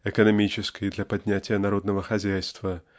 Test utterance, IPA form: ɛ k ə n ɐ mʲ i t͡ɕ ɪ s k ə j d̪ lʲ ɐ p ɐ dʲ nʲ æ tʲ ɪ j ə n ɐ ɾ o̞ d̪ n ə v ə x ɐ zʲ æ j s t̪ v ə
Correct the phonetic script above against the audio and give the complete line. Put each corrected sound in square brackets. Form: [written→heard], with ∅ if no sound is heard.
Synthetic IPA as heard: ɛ k ə n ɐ mʲ i t͡ɕ ɪ s k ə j d̪ lʲ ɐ p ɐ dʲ nʲ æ tʲ ɪ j ə n ɐ ɾ o̞ d̪ n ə v ə x ɐ zʲ æ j s t̪ v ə

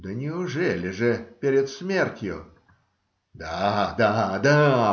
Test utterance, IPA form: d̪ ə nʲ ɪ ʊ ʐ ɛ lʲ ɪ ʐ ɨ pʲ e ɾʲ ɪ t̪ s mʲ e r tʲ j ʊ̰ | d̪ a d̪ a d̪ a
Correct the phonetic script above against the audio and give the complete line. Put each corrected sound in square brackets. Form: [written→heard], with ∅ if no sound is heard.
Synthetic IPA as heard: d̪ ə nʲ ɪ ʊ ʐ ɛ lʲ ɪ ʐ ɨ pʲ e ɾʲ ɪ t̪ s mʲ e r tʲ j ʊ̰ | d̪ a d̪ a d̪ a

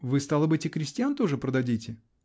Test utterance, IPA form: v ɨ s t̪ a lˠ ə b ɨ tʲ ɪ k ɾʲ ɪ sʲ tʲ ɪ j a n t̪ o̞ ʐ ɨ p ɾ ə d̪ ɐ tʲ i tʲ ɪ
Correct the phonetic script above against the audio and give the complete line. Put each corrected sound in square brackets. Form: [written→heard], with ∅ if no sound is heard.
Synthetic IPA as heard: v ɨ s t̪ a lˠ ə b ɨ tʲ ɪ k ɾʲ ɪ sʲ tʲ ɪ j a n t̪ o̞ ʐ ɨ p ɾ ə d̪ ɐ [tʲ→dʲ] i tʲ ɪ

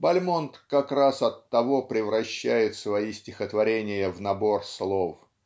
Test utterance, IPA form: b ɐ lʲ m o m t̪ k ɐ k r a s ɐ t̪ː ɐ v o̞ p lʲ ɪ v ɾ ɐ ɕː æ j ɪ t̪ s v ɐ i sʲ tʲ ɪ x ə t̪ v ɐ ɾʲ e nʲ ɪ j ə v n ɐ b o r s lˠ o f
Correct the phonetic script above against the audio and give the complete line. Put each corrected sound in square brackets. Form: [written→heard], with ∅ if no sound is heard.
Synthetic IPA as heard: b ɐ lʲ m o [m→n] t̪ k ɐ k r a s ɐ t̪ː ɐ v o̞ p [lʲ→ɾʲ] ɪ v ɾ ɐ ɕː æ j ɪ t̪ s v ɐ i sʲ tʲ ɪ x ə t̪ v ɐ ɾʲ e nʲ ɪ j ə v n ɐ b o r s lˠ o f

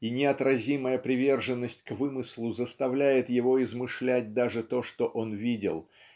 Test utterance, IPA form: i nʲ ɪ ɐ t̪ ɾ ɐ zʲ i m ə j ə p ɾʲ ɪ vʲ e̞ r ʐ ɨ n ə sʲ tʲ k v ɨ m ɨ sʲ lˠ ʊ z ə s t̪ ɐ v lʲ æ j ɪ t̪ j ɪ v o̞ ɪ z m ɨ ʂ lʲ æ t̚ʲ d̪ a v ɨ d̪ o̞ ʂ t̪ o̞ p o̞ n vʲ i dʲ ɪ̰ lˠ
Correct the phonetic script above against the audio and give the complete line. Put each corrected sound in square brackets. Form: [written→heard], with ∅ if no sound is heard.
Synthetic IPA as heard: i nʲ ɪ ɐ t̪ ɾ ɐ zʲ i m ə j ə p ɾʲ ɪ vʲ e̞ r ʐ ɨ [n→nː] ə sʲ tʲ k v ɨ m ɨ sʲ lˠ ʊ z ə s t̪ ɐ v lʲ æ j ɪ t̪ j ɪ v o̞ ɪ z m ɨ ʂ lʲ æ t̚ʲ d̪ a [v→ʐ] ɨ [d̪→t̪] o̞ ʂ t̪ o̞ [p→ʔ] o̞ n vʲ i dʲ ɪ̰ lˠ

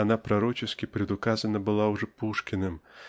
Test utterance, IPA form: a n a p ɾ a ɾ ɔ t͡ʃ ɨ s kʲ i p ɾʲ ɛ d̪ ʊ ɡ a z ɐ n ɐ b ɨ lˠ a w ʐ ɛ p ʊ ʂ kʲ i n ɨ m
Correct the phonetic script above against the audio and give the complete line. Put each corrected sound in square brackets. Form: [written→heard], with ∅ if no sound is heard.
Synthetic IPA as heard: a n a p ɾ a ɾ ɔ t͡ʃ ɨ s kʲ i p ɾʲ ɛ d̪ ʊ [ɡ→k] a z ɐ n ɐ b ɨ lˠ a w ʐ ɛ p [ʊ→u] ʂ kʲ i n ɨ m

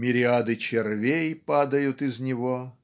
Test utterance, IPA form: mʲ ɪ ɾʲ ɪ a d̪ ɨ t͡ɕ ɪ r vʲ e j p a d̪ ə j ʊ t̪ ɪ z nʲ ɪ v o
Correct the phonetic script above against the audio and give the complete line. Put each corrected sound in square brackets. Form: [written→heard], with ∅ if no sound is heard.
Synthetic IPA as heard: mʲ ɪ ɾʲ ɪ a d̪ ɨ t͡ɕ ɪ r vʲ e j p a d̪ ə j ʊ t̪ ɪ z nʲ ɪ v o

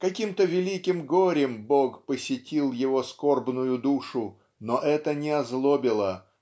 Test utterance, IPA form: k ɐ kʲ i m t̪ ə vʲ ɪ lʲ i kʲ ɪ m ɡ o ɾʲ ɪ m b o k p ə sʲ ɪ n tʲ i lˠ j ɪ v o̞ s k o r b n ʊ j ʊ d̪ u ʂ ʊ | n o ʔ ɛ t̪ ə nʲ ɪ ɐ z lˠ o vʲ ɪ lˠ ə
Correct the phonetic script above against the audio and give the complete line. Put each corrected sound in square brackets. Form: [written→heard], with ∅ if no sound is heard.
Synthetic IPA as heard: k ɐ kʲ i m t̪ ə vʲ ɪ lʲ i kʲ ɪ m ɡ o ɾʲ ɪ m b o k p ə sʲ ɪ [n→∅] tʲ i lˠ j ɪ v o̞ s k o r b n ʊ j ʊ d̪ u ʂ ʊ | n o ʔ ɛ t̪ ə nʲ ɪ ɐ z lˠ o [vʲ→bʲ] ɪ lˠ ə

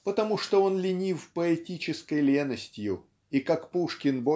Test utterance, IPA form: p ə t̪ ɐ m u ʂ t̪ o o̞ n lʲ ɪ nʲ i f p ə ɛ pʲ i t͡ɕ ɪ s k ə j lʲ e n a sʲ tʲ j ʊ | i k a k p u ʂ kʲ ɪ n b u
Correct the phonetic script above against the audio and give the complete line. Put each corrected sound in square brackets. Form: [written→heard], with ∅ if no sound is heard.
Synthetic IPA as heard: p ə t̪ ɐ m u ʂ t̪ o o̞ n lʲ ɪ nʲ i f p ə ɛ [pʲ→tʲ] i t͡ɕ ɪ s k ə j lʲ e n [a→ə] sʲ tʲ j ʊ | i k a k p u ʂ kʲ ɪ n b [u→o]

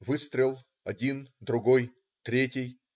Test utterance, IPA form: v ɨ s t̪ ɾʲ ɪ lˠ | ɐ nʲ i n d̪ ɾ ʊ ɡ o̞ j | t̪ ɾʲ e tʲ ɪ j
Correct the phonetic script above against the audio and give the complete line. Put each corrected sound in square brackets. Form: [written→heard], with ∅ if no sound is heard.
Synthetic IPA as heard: v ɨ s t̪ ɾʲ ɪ lˠ | ɐ [nʲ→dʲ] i n d̪ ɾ ʊ ɡ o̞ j | t̪ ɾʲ e tʲ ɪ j

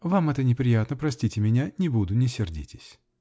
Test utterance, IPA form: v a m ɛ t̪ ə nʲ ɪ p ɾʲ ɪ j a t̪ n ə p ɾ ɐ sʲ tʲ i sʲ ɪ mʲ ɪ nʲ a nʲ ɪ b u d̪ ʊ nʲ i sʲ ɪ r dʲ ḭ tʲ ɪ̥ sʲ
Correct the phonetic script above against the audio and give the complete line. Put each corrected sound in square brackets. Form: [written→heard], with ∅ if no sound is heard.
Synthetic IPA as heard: v a m ɛ t̪ ə nʲ ɪ p ɾʲ ɪ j a t̪ n ə p ɾ ɐ sʲ tʲ i [sʲ→tʲ] ɪ mʲ ɪ nʲ a nʲ ɪ b u d̪ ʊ nʲ [i→ɪ] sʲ ɪ r dʲ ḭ tʲ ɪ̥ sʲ

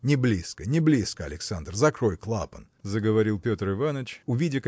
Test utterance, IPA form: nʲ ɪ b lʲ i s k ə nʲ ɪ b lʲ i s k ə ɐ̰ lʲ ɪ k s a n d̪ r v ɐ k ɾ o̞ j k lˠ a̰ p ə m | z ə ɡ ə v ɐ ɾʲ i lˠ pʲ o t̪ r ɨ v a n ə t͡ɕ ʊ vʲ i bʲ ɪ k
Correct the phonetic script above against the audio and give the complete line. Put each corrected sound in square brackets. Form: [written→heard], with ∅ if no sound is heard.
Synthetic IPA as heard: nʲ ɪ b lʲ i s k ə nʲ ɪ b lʲ i s k ə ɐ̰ lʲ ɪ k s a n d̪ r [v→z] ɐ k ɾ o̞ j k lˠ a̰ p ə [m→n] | z ə ɡ ə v ɐ ɾʲ i lˠ pʲ o t̪ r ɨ v a n ə t͡ɕ ʊ vʲ i [bʲ→dʲ] ɪ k

